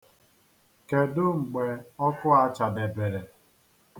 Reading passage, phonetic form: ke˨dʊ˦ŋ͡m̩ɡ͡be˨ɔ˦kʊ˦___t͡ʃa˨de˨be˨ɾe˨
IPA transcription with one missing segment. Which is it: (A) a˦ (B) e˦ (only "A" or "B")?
A